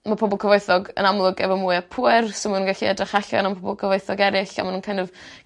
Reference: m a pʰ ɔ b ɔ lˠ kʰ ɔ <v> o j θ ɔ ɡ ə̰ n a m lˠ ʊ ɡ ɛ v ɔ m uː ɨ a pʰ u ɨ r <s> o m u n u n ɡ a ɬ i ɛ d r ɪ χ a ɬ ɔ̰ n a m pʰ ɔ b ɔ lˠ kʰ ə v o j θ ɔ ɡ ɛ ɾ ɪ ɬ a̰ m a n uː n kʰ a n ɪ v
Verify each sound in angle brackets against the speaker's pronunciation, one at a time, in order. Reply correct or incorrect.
correct, correct

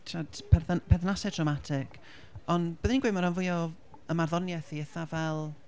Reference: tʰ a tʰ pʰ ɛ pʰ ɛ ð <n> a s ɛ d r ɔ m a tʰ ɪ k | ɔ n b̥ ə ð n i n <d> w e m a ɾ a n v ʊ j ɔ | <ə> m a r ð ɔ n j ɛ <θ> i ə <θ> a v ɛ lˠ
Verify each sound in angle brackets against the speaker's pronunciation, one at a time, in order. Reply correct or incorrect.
correct, incorrect: ɡ, correct, correct, correct

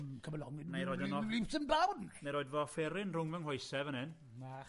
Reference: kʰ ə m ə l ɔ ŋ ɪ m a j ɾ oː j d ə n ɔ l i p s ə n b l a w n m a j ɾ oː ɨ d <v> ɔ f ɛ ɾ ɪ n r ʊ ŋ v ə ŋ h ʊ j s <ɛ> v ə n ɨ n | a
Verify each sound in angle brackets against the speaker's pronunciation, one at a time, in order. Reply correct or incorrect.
correct, correct

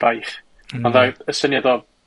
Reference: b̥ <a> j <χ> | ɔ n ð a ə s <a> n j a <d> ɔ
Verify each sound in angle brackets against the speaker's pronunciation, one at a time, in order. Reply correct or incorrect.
correct, correct, incorrect: ə, correct

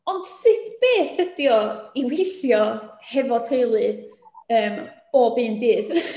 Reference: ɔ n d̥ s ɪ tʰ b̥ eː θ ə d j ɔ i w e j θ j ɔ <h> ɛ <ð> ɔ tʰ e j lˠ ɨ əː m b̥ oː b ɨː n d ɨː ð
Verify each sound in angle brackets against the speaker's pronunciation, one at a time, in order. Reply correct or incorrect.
correct, incorrect: v

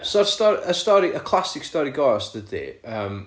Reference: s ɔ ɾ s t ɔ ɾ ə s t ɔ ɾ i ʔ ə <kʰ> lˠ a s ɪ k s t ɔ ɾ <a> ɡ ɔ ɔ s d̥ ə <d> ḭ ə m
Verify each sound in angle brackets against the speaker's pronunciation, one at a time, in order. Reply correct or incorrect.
correct, incorrect: i, correct

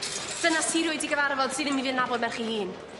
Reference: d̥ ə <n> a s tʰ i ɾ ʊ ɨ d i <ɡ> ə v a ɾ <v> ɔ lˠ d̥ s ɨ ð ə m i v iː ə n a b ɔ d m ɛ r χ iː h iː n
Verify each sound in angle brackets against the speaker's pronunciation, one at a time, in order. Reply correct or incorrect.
correct, correct, correct

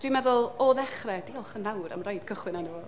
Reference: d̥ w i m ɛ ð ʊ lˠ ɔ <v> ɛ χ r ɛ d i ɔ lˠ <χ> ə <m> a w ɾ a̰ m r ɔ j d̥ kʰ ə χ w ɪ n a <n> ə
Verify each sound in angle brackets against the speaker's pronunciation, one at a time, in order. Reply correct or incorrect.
incorrect: ð, correct, incorrect: n, correct

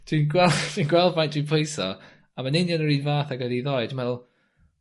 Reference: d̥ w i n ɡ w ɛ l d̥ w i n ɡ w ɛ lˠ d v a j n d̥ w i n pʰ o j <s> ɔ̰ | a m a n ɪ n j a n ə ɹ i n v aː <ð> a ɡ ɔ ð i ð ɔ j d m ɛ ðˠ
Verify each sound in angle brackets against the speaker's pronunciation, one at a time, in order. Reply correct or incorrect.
correct, incorrect: θ

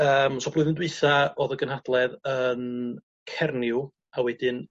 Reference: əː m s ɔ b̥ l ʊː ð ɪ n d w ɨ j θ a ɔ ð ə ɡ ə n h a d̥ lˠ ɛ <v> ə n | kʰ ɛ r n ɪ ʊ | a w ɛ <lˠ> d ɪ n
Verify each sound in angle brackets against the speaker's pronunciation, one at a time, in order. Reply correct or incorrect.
incorrect: ð, incorrect: none

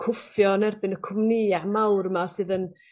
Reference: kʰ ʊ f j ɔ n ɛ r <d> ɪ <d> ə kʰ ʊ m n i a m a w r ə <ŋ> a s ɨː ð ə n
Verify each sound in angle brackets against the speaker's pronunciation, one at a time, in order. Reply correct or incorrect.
incorrect: b, incorrect: n, incorrect: m

